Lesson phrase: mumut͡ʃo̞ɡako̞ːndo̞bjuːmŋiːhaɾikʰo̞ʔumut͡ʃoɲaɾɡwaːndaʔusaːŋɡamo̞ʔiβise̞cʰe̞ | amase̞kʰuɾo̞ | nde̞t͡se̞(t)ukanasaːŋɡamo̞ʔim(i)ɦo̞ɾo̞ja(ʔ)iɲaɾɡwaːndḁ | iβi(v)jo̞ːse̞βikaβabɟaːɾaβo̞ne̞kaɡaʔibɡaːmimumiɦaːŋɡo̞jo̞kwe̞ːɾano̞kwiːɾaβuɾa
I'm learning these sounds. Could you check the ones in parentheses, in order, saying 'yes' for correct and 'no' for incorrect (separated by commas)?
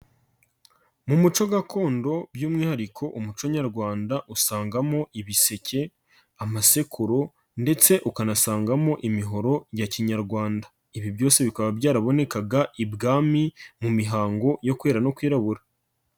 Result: no, yes, no, no